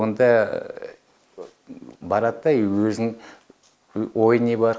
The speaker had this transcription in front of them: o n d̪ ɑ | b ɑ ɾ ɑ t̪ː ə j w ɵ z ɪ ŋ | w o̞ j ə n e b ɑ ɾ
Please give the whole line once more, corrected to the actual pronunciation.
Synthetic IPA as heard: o n d̪ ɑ | b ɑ ɾ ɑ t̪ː ɑ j w ɵ z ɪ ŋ | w o̞ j ə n e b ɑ ɾ